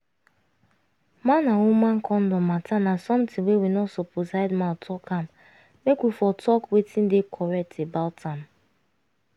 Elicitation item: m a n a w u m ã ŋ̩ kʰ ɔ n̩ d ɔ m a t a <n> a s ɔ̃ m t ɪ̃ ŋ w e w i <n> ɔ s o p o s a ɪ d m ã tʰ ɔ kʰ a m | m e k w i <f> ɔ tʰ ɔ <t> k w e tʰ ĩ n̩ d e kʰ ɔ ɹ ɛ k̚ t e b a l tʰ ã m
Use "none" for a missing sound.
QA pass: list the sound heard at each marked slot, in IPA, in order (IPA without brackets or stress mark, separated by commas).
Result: n, n, f, none